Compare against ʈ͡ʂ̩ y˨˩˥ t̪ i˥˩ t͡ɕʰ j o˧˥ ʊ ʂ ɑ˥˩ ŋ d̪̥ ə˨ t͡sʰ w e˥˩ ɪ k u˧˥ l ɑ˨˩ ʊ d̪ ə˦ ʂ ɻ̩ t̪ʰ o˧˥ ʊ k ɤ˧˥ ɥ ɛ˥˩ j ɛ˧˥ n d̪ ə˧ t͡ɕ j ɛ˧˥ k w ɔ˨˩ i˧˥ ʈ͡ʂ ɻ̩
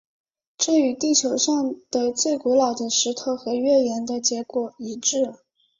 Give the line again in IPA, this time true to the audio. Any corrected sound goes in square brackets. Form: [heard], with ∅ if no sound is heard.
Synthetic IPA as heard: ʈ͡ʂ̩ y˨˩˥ t̪ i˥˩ t͡ɕʰ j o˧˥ ʊ ʂ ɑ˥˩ ŋ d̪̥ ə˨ [t͡s] w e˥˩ ɪ k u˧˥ l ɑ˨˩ ʊ d̪ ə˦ ʂ ɻ̩ t̪ʰ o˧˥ ʊ [x] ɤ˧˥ ɥ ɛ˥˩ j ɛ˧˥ n d̪ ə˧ t͡ɕ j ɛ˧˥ k w ɔ˨˩ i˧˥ ʈ͡ʂ ɻ̩